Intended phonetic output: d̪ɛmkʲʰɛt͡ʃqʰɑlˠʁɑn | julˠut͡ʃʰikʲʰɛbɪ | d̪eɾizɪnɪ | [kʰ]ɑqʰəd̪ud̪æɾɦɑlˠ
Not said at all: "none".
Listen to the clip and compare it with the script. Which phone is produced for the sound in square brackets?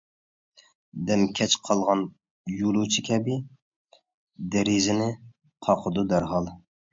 qʰ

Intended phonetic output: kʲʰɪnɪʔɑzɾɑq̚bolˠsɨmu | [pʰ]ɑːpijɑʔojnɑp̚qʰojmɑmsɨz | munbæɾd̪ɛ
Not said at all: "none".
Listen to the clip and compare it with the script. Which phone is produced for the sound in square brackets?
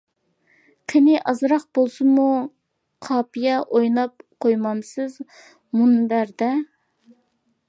qʰ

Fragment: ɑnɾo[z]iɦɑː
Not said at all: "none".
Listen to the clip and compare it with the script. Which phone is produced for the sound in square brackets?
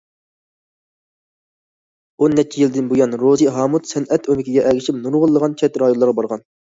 z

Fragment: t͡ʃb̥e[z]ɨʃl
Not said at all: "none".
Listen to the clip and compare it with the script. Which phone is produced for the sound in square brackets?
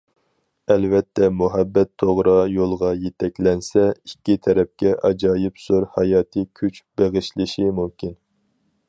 ʁ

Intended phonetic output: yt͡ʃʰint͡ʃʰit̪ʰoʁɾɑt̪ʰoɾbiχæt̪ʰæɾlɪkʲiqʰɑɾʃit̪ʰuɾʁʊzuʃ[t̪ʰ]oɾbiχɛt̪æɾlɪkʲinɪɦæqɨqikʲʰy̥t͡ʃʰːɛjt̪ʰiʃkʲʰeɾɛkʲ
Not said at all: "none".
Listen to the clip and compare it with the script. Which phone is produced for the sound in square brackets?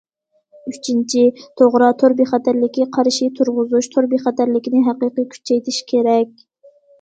t̪ʰ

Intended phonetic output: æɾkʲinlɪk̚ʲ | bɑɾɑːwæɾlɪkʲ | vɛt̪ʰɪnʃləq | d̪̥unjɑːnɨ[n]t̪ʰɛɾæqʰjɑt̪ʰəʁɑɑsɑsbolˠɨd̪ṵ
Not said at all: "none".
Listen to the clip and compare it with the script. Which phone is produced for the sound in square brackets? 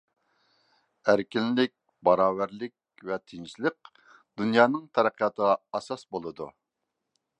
ŋ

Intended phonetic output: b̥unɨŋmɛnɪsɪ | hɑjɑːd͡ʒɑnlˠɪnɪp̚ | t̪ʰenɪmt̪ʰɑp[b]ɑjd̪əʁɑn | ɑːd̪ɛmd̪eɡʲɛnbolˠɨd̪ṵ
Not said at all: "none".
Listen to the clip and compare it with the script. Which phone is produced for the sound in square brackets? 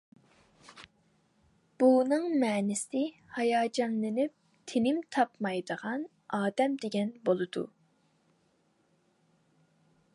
m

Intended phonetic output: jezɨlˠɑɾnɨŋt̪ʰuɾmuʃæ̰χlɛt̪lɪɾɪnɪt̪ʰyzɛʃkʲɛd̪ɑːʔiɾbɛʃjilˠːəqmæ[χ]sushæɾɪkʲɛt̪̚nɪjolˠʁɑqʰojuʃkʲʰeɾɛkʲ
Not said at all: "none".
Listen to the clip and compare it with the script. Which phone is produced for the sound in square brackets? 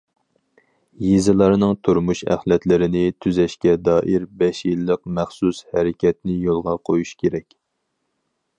χ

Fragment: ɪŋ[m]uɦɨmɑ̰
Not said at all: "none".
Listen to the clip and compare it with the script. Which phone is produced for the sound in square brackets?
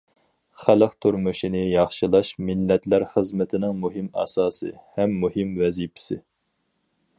m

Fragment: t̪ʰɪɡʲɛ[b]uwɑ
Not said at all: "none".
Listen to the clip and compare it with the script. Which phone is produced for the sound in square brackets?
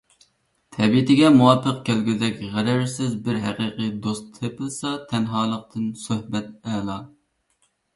m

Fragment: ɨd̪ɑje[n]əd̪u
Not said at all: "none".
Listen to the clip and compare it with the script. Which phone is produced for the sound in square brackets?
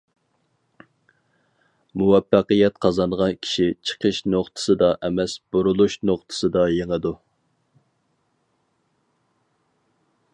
ŋ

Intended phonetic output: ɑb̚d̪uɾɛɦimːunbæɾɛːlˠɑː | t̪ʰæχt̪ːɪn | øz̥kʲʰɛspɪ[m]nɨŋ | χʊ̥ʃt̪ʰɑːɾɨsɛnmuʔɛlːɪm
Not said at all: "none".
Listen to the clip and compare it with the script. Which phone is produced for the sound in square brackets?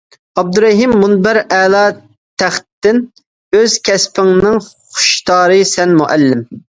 ŋ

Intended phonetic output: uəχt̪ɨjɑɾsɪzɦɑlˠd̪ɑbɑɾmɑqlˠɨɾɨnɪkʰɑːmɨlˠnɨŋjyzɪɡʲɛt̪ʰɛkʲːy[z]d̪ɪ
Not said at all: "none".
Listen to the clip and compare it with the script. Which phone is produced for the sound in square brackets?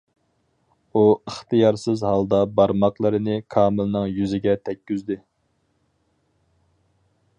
z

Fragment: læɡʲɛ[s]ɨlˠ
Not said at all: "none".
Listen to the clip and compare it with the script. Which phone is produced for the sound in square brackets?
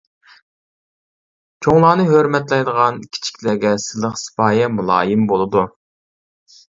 s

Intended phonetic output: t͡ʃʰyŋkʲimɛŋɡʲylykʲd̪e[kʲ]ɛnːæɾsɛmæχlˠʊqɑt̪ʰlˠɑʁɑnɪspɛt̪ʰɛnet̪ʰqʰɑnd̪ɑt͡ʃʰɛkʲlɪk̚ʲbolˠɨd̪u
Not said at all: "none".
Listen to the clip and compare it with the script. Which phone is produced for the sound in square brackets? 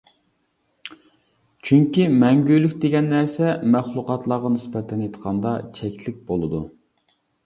ɡʲ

